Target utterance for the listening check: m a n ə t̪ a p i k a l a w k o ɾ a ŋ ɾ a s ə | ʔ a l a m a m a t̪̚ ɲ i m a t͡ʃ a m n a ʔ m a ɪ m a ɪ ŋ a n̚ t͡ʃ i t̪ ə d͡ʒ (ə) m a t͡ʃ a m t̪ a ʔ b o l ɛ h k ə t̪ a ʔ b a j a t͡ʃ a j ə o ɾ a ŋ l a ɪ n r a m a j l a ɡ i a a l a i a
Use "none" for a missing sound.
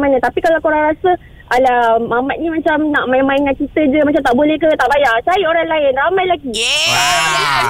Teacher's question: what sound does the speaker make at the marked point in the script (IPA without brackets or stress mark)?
ə